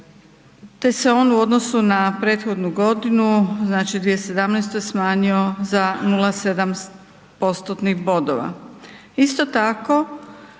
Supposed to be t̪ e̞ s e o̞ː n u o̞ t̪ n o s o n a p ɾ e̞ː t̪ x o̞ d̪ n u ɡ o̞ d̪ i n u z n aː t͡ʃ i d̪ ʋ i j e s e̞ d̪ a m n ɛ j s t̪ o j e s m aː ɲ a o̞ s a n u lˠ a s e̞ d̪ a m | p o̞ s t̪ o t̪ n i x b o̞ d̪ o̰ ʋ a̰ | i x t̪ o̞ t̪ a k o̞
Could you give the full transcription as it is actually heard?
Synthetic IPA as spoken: t̪ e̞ s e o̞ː n u o̞ d̪ n o s u n a p ɾ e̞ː t̪ x o̞ d̪ n u ɡ o̞ d̪ i n u z n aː t͡ʃ i d̪ ʋ i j e s e̞ d̪ a m n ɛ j s t̪ o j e s m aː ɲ i o̞ z a n u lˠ a s e̞ d̪ a m | p o̞ s t̪ o t̪ n i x b o̞ d̪ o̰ ʋ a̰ | i s t̪ o̞ t̪ a k o̞